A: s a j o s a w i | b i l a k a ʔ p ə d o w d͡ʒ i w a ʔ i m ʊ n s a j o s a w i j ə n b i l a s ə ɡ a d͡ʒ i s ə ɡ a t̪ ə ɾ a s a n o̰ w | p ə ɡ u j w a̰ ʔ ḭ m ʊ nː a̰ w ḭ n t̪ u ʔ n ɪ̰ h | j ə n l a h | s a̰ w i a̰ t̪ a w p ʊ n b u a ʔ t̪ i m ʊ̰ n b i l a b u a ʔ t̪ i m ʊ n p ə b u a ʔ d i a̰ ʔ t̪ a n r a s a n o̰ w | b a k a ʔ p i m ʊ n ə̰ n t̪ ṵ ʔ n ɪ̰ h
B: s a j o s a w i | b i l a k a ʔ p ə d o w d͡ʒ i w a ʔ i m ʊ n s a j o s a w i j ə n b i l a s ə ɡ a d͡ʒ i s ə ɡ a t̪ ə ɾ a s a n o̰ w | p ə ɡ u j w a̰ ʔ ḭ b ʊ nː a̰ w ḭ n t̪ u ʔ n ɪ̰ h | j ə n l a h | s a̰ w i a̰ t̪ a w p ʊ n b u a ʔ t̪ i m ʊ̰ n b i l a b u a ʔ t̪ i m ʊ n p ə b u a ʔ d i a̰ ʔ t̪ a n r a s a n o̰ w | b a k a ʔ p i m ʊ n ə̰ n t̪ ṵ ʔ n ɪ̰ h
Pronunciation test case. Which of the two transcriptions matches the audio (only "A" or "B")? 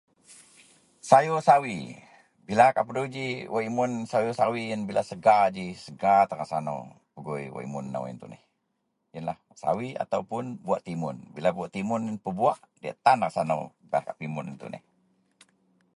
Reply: A